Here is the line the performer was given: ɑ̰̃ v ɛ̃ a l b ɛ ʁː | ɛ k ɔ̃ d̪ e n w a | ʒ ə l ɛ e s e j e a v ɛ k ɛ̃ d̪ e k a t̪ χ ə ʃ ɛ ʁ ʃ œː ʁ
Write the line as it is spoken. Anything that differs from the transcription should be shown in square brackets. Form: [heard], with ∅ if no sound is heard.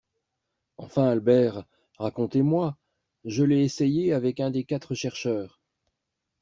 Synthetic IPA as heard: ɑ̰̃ [f] ɛ̃ a l b ɛ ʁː | [a] k ɔ̃ [t̪] e [m] w a | ʒ ə l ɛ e s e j e a v ɛ k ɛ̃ d̪ e k a t̪ χ ə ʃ ɛ ʁ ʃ œː ʁ